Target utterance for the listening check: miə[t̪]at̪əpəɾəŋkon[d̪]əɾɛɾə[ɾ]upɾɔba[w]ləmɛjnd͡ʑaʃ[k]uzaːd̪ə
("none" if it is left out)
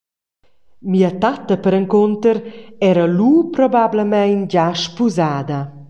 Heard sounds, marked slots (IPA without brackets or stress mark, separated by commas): t̪, t̪, l, b, p